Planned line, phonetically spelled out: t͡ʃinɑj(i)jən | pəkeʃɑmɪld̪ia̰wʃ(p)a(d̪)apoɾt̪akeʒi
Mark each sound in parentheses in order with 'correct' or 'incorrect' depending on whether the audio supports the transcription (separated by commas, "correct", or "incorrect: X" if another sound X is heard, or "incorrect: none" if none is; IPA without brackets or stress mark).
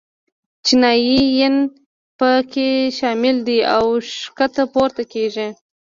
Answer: correct, incorrect: k, incorrect: t̪